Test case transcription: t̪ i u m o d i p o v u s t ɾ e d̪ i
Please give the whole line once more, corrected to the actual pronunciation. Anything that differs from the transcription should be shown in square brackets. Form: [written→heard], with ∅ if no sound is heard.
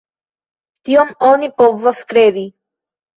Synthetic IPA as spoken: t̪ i [u→o] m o [d→n] i p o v [u→o] s [t→k] ɾ e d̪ i

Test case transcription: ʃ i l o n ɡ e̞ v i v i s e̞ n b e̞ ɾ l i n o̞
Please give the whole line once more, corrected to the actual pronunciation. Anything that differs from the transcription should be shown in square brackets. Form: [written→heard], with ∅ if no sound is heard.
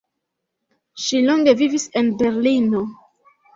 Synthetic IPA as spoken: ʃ i l o [n→ŋ] ɡ e̞ v i v i s e̞ n b e̞ ɾ l i n o̞

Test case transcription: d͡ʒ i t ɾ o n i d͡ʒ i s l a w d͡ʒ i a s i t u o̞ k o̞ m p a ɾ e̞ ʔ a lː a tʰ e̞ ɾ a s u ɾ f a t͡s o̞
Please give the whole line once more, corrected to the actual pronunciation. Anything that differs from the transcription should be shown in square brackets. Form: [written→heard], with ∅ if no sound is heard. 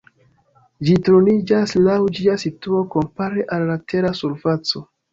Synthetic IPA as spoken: d͡ʒ i t ɾ o n i d͡ʒ [i→a] s l a w d͡ʒ i a s i t u o̞ k o̞ m p a ɾ e̞ ʔ a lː a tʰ e̞ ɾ a s u ɾ f a t͡s o̞

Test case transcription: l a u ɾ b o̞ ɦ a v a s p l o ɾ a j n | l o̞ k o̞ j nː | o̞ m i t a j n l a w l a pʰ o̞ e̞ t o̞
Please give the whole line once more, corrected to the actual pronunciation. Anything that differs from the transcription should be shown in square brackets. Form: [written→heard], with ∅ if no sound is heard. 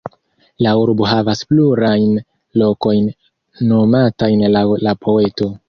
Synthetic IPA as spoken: l a u ɾ b o̞ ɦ a v a s p l [o→u] ɾ a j n | l o̞ k o̞ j nː | o̞ m [i→a] t a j n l a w l a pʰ o̞ e̞ t o̞

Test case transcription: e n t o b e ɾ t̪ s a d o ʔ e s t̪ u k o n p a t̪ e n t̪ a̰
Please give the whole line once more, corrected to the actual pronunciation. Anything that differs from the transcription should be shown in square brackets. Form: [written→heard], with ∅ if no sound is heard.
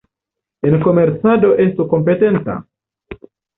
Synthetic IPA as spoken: e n [t→k] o [b→m] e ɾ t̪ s a d o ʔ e s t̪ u k o [n→m] p [a→e] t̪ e n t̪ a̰

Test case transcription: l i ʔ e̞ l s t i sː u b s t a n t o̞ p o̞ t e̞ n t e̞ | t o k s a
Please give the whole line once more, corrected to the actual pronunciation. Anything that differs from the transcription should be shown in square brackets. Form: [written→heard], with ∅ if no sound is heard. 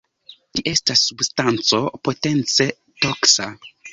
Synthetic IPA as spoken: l i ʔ e̞ [l→∅] s t [i→a] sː u b s t a n [t→t͡s] o̞ p o̞ t e̞ n [t→t͡s] e̞ | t o k s a

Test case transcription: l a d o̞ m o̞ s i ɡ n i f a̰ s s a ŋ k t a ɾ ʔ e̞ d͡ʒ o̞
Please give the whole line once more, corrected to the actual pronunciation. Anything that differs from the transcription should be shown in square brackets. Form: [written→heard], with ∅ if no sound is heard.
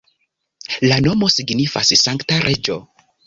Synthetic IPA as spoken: l a [d→n] o̞ m o̞ s i ɡ n i f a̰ s s a ŋ k t a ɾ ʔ e̞ d͡ʒ o̞

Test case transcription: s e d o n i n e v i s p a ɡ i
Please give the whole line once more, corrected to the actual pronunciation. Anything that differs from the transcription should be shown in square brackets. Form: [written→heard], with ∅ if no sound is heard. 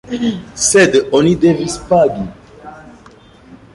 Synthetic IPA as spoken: s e d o n i [n→d] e v i s p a ɡ i

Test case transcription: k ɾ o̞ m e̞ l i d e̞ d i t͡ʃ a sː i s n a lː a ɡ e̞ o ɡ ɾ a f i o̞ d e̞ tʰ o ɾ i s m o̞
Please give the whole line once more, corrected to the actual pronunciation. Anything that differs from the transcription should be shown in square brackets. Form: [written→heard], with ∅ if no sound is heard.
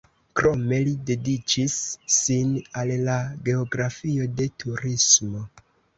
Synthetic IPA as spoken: k ɾ o̞ m e̞ l i d e̞ d i t͡ʃ [a→i] sː i [s→∅] n a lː a ɡ e̞ o ɡ ɾ a f i o̞ d e̞ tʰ [o→u] ɾ i s m o̞

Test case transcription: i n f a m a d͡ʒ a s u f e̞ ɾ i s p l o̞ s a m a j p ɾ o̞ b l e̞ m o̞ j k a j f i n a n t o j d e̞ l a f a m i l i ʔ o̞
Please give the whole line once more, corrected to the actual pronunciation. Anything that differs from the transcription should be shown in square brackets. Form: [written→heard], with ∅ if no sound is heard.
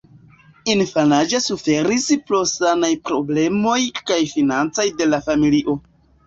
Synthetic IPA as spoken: i n f a [m→n] a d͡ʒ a s u f e̞ ɾ i s p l o̞ s a [m→n] a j p ɾ o̞ b l e̞ m o̞ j k a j f i n a n [t→t͡s] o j d e̞ l a f a m i l i ʔ o̞

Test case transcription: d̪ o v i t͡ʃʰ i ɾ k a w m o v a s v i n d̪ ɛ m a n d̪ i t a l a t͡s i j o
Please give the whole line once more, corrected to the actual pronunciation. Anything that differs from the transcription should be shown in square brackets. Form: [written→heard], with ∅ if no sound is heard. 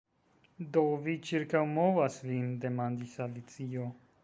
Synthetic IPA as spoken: d̪ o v i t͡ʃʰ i ɾ k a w m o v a s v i n d̪ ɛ m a n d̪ i [t→s] a l [a→i] t͡s i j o

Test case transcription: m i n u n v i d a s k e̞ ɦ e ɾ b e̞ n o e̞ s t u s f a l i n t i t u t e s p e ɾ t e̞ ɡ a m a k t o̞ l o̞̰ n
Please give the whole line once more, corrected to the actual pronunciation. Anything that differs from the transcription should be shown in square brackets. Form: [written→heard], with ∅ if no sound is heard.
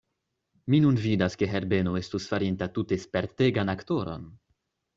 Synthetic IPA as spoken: m i n u n v i d a s k e̞ ɦ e ɾ b e̞ n o e̞ s t u s f a [l→ɾ] i n t [i→a] t u t e s p e ɾ t e̞ ɡ a [m→n] a k t o̞ [l→ɾ] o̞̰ n

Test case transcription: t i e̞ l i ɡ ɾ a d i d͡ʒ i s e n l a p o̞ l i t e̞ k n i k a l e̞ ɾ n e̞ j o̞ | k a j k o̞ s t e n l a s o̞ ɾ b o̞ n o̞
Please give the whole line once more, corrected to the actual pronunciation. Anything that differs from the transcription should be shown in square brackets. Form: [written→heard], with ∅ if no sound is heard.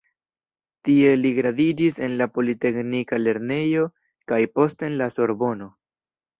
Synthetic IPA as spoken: t i e̞ l i ɡ ɾ a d i d͡ʒ i s e n l a p o̞ l i t e̞ k n i k a l e̞ ɾ n e̞ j o̞ | k a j [k→p] o̞ s t e n l a s o̞ ɾ b o̞ n o̞

